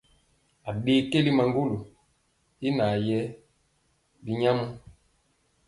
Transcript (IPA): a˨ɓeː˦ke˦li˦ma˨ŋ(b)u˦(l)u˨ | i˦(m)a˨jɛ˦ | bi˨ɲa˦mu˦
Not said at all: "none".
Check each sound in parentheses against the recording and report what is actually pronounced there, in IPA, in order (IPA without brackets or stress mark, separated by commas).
ɡ, l, n